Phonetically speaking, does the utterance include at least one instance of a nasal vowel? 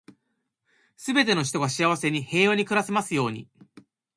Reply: no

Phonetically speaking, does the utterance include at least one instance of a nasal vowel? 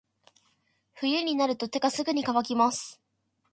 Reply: no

